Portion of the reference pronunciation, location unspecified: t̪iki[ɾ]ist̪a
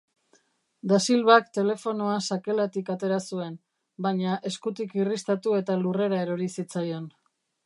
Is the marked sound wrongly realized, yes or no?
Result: yes